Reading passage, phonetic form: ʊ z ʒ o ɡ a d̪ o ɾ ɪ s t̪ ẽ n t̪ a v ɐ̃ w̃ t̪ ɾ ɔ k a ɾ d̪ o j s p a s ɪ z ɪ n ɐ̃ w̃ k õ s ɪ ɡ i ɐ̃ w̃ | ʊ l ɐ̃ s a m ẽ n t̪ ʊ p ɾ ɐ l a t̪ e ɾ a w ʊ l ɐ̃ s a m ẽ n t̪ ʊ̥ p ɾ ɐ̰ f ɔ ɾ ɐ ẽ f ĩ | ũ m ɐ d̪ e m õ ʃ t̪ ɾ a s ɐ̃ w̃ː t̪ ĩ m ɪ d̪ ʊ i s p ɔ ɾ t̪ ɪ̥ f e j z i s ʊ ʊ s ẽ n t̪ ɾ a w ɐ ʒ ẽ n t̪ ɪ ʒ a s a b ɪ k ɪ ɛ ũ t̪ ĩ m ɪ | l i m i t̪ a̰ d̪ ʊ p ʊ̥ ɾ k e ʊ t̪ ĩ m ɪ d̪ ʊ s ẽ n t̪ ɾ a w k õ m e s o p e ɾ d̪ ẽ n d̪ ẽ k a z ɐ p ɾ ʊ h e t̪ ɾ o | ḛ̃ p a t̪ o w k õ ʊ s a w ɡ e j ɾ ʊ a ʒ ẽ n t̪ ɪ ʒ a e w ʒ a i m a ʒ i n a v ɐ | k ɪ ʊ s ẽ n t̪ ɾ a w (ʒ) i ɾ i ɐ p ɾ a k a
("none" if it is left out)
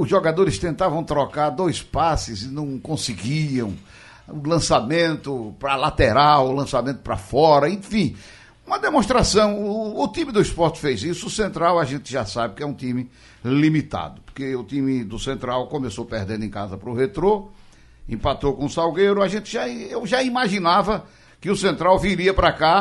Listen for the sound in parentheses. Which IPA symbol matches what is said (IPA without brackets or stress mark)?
v